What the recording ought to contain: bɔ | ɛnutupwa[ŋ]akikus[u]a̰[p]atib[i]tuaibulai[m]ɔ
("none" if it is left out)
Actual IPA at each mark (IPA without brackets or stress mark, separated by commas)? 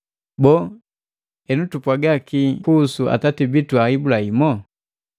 ɡ, u, t, i, m